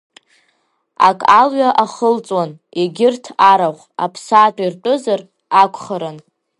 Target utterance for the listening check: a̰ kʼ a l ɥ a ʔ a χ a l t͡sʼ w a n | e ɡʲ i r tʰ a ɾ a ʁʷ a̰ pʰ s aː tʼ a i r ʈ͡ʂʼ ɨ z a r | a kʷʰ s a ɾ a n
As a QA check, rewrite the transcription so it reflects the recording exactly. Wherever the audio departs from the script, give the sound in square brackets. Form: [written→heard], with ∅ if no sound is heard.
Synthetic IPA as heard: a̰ kʼ a l ɥ a ʔ a χ [a→ə] l t͡sʼ w a n | e ɡʲ [i→ɪ] r tʰ a ɾ a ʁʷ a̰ pʰ s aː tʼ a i r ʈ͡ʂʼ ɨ z a r | a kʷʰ [s→χ] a ɾ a n